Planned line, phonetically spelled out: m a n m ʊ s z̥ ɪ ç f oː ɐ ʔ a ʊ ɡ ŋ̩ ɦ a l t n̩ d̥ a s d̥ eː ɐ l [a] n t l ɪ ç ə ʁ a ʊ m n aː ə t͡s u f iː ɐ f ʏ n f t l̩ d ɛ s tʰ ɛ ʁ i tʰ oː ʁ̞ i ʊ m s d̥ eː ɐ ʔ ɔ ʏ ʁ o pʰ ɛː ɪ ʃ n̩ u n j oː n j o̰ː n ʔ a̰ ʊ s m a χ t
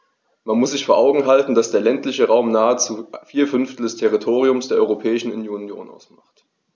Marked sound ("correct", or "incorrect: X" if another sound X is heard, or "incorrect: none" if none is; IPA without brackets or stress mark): incorrect: ɛ